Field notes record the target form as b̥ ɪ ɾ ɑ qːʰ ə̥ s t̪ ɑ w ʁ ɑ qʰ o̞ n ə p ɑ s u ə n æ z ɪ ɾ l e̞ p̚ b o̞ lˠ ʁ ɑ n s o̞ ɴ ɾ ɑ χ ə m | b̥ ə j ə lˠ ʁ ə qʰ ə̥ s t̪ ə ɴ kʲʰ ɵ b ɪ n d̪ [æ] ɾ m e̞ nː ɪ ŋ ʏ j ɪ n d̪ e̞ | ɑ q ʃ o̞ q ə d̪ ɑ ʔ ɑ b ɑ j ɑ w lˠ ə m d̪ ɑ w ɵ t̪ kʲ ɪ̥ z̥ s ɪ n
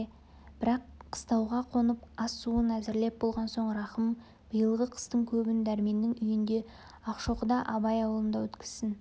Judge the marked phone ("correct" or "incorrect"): correct